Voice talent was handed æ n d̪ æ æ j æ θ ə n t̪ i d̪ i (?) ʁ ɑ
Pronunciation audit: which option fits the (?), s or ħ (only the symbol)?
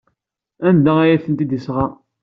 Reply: s